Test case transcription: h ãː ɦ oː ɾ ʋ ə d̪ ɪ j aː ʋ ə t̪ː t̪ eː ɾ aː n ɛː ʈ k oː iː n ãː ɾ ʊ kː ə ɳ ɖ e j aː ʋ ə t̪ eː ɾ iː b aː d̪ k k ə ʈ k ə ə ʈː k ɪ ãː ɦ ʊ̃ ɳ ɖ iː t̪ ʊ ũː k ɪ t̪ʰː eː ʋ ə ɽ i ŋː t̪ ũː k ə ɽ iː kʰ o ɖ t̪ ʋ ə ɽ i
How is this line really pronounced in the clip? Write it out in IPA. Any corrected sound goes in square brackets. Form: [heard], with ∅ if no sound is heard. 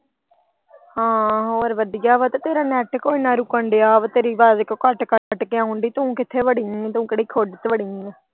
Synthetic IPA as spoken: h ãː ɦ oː ɾ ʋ ə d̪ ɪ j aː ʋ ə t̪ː t̪ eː ɾ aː n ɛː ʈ k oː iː n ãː ɾ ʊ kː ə ɳ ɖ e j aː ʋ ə t̪ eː ɾ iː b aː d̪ k k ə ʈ k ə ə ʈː k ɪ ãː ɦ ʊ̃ ɳ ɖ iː t̪ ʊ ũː k ɪ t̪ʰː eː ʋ ə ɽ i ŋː t̪ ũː k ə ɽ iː kʰ o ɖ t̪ ʋ ə ɽ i